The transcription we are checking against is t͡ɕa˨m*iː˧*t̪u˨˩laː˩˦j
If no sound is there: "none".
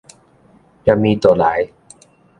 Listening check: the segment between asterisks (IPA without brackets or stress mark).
iː˧